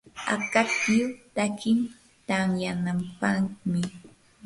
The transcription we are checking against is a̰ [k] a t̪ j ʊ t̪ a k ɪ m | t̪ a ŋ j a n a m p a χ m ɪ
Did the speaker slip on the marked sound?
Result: no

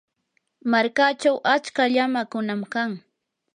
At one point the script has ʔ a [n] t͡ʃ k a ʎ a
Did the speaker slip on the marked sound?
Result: yes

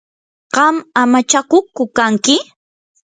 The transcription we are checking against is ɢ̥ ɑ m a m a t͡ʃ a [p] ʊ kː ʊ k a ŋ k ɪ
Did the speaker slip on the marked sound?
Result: yes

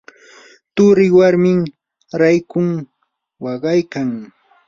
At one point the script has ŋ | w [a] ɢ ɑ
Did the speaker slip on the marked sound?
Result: yes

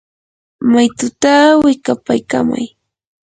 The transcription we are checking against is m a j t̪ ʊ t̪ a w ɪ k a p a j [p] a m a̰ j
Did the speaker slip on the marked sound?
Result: yes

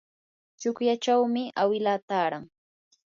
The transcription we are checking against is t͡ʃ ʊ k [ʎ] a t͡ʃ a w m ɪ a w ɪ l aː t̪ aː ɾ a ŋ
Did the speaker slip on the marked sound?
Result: yes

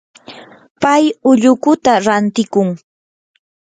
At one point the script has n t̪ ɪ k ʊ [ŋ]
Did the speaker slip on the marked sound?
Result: no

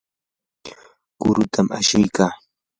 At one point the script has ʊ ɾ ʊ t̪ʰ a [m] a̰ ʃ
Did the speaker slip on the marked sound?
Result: no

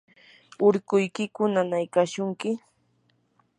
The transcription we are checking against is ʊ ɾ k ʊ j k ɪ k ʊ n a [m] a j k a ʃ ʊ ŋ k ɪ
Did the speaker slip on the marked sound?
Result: yes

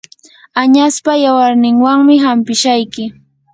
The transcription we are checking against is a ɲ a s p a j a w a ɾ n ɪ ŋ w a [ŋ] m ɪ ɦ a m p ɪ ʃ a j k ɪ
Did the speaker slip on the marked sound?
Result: no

